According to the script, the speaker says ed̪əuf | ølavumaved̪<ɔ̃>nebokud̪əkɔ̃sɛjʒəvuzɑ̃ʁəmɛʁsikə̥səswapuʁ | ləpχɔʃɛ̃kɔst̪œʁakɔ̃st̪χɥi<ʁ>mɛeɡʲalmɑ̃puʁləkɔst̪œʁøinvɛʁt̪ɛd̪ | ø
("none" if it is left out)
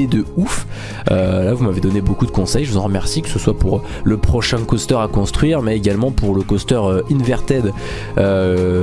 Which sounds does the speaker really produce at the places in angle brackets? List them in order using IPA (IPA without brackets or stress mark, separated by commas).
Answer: ɔ, ʁ